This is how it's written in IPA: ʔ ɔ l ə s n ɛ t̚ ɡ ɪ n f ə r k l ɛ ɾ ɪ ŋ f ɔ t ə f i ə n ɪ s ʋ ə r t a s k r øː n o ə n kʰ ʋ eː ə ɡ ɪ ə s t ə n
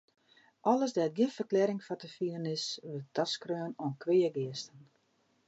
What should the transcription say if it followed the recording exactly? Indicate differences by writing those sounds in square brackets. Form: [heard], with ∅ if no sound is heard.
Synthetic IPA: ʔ ɔ l ə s [d] ɛ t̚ ɡ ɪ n f ə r k l ɛ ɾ ɪ ŋ f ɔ t ə f i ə n ɪ s ʋ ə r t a s k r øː n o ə n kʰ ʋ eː ə ɡ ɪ ə s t ə n